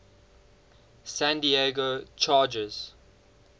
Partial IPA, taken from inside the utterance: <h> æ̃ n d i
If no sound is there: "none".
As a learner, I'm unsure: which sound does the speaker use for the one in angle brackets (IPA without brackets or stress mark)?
s